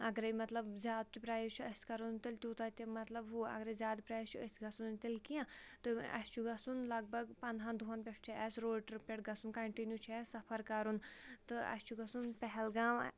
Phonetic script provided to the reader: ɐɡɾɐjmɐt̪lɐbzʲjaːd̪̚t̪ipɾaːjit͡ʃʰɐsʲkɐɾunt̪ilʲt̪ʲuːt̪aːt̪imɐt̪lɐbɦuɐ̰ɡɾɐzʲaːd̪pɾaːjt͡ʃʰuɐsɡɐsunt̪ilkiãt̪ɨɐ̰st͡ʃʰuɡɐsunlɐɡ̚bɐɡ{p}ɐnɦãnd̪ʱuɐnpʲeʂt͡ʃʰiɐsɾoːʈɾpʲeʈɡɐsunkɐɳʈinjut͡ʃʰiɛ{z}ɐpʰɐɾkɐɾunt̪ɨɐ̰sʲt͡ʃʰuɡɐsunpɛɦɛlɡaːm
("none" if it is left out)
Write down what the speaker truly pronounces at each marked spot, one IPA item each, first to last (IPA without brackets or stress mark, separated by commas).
p, s